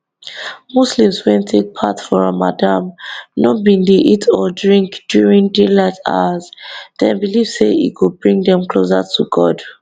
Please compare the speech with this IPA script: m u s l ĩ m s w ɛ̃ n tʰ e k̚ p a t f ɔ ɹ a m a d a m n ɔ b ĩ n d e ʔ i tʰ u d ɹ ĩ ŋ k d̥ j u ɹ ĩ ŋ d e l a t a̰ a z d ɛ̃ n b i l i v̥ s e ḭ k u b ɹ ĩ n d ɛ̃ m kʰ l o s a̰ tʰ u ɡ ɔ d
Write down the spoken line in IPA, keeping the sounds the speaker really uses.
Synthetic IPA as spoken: m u s l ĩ m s w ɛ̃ n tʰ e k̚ pʰ a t f ɔ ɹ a m a d a m n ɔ b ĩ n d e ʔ i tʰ ɔ d ɹ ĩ ŋ k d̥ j u ɹ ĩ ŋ d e l a t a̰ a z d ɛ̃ n b i l i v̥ s e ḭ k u b ɹ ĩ ŋ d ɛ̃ m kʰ l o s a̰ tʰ u ɡ ɔ d